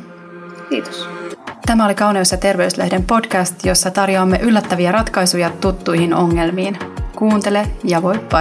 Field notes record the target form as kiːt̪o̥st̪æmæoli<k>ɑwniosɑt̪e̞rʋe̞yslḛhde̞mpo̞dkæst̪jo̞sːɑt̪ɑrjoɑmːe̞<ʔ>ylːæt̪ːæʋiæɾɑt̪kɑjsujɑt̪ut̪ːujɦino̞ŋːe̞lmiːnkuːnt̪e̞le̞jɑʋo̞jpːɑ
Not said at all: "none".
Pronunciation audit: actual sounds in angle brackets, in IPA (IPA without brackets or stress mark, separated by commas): k, ʔ